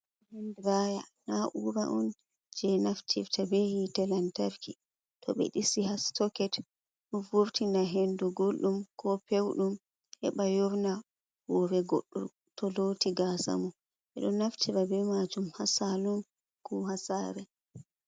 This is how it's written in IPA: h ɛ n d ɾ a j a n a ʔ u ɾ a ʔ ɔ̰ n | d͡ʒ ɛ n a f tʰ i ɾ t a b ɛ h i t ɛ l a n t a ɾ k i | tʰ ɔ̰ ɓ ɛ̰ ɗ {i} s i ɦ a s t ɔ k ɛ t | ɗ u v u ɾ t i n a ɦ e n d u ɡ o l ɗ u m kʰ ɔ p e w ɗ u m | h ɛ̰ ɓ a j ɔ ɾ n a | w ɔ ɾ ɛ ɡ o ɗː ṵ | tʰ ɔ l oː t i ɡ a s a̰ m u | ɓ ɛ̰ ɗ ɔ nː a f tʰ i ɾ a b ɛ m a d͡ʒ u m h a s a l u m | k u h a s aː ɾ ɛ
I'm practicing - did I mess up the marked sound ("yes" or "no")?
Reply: no